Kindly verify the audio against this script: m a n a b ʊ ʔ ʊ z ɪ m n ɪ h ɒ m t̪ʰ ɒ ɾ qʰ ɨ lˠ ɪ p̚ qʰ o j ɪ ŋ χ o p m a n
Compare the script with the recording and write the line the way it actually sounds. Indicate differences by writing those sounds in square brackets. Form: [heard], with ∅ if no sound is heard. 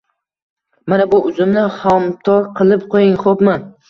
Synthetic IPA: m a n a b ʊ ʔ ʊ z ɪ m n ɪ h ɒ m t̪ʰ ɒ ɾ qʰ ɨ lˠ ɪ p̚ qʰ o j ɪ ŋ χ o p m a n